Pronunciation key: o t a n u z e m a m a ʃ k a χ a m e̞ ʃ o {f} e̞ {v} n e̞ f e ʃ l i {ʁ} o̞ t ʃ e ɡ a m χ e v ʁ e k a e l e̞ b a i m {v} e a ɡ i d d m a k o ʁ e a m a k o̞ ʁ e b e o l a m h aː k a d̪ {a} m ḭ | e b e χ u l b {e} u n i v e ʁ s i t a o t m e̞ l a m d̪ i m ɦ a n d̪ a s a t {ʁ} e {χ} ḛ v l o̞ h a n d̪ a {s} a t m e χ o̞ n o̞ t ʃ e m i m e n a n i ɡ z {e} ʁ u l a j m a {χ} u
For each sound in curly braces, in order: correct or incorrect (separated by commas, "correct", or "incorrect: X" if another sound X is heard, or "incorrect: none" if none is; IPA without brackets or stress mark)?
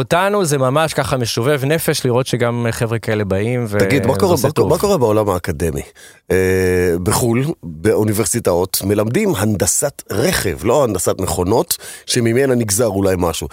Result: incorrect: v, correct, correct, correct, incorrect: e, correct, correct, correct, correct, incorrect: a, incorrect: ʃ